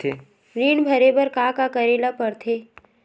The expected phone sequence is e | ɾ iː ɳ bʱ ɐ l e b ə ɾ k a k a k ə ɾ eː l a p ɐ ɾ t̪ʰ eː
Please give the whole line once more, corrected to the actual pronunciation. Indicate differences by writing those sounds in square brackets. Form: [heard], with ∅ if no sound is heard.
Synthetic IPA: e | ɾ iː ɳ bʱ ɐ [ɾ] e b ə ɾ k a k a k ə ɾ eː l a p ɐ ɾ t̪ʰ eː